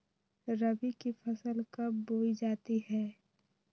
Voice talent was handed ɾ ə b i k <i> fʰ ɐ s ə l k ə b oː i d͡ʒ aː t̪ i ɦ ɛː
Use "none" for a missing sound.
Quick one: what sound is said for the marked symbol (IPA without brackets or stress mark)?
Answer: i